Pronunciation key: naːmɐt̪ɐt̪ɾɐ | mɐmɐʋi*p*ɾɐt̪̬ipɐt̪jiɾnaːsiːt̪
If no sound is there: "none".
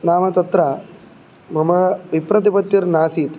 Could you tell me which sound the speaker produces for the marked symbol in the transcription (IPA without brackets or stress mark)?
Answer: p